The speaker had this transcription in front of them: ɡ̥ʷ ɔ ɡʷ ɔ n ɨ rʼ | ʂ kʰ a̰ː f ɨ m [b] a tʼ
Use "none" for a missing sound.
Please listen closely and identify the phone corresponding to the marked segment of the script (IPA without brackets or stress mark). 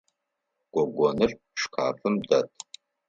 d